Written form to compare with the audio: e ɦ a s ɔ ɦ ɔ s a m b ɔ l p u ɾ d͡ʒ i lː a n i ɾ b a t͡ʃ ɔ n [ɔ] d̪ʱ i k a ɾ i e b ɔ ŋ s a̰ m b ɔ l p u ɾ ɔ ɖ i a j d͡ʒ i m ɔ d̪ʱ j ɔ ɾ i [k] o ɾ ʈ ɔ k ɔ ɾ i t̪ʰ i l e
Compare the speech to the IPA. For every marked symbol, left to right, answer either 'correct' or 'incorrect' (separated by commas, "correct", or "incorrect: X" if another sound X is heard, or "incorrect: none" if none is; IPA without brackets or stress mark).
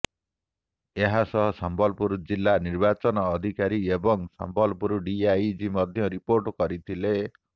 incorrect: ɔː, incorrect: p